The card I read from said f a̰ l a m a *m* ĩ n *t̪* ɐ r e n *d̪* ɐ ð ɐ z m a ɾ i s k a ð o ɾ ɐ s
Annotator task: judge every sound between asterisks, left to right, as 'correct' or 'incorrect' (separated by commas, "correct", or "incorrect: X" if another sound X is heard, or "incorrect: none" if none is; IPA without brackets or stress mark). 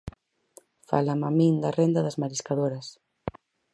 correct, incorrect: d̪, correct